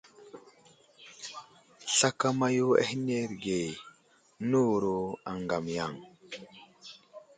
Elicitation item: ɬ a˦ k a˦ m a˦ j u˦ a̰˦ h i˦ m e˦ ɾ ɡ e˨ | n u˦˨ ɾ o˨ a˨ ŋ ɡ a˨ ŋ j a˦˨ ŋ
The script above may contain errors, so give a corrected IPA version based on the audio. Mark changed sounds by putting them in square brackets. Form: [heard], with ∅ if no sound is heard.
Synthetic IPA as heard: ɬ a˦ k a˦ m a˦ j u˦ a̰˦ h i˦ [n] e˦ ɾ ɡ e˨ | n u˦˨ ɾ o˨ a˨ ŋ ɡ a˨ [m] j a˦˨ ŋ

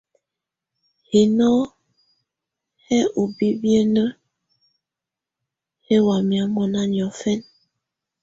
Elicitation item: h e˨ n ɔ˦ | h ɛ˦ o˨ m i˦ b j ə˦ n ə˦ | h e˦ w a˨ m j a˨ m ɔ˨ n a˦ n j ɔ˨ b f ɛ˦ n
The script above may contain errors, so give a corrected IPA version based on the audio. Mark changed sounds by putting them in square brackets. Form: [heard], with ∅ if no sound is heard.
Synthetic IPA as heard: h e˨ n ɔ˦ | h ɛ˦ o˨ [b] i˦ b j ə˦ n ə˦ | h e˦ w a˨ m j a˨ m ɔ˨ n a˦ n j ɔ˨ [∅] f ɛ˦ n

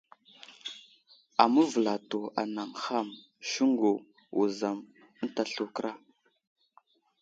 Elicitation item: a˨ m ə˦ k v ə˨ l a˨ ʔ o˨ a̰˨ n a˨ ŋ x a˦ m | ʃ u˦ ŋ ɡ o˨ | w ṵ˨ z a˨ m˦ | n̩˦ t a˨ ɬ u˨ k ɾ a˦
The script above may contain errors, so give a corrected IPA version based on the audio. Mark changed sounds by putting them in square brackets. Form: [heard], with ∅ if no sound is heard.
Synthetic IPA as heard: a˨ m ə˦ [∅] v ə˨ l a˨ [t] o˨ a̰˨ n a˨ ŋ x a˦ m | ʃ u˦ ŋ ɡ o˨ | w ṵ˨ z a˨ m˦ | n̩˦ t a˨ ɬ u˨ k ɾ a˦

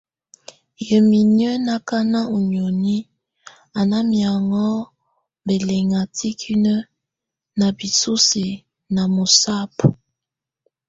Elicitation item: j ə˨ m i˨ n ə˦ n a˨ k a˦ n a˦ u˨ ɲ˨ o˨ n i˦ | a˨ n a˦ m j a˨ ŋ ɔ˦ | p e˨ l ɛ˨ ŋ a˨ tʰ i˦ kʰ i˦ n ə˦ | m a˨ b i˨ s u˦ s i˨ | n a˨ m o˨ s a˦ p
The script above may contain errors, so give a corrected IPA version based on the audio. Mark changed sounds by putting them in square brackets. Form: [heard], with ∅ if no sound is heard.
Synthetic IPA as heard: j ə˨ m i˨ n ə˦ n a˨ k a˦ n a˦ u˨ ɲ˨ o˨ n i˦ | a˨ n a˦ m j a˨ ŋ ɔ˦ | [b] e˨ l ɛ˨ ŋ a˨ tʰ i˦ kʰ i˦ n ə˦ | [n] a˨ b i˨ s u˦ s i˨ | n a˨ m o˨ s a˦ p

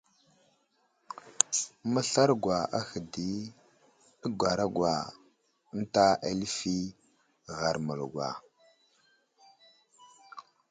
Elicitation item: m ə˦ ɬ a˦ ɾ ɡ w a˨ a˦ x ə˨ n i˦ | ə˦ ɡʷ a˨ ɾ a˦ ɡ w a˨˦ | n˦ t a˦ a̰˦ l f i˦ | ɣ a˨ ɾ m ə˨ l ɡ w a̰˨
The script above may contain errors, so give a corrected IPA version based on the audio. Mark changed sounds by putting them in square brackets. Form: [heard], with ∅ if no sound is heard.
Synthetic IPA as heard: m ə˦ ɬ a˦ ɾ ɡ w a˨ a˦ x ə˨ [d] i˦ | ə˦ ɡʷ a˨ ɾ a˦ ɡ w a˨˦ | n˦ t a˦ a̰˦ l f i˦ | ɣ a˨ ɾ m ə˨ l ɡ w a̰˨

